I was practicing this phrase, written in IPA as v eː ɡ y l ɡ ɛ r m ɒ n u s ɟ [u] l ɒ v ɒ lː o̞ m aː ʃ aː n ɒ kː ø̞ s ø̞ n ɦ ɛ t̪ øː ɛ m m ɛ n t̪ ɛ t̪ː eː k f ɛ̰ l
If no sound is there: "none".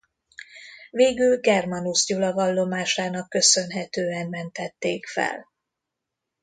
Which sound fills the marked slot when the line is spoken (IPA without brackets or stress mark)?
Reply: u